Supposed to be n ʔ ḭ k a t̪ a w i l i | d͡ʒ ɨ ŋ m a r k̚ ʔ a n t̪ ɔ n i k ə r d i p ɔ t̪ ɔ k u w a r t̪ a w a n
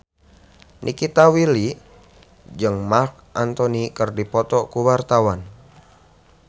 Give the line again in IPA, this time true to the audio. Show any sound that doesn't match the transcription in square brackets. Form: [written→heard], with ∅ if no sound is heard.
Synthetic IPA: n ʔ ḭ k [a→i] t̪ a w i l i | d͡ʒ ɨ ŋ m a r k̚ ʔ a n t̪ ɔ n i k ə r d i p ɔ t̪ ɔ k u w a r t̪ a w a n